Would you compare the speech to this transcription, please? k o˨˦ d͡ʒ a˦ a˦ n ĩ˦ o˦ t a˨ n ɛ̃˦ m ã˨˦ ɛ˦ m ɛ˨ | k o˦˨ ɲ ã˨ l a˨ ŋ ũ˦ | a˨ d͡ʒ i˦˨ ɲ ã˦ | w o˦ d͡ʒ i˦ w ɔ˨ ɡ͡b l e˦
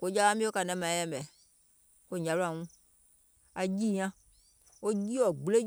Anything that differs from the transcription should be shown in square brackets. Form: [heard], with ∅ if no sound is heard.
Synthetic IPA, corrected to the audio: k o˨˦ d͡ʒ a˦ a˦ [m] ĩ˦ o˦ [k] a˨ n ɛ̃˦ m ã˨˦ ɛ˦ m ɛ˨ | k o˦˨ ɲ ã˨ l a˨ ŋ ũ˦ | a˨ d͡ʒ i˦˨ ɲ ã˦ | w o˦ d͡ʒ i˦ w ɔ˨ ɡ͡b l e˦